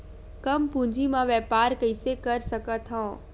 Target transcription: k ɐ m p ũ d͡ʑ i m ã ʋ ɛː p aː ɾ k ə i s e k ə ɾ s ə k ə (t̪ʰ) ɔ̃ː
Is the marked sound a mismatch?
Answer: no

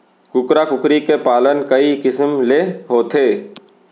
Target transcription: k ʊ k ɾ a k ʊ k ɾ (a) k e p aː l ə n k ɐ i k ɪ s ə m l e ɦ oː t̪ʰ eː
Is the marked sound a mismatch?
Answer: yes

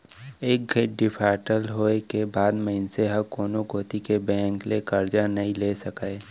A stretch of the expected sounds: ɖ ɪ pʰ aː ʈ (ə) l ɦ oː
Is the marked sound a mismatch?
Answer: no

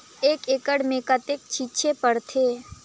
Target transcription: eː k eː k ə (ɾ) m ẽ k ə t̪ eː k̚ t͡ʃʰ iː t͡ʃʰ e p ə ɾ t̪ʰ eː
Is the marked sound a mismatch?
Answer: yes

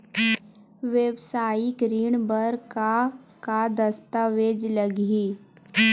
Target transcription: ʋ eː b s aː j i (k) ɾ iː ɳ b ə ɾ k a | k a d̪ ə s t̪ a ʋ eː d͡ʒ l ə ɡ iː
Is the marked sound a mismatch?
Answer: no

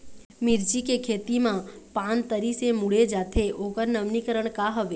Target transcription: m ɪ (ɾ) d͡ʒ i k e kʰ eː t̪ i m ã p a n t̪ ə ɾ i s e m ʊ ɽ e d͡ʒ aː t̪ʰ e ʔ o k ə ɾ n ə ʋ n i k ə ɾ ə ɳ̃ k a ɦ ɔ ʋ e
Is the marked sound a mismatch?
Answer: no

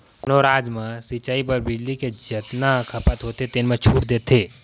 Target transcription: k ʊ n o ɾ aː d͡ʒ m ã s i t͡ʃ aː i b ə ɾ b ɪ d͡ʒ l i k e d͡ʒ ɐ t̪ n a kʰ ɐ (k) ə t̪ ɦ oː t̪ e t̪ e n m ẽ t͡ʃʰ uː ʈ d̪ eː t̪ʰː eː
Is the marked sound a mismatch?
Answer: yes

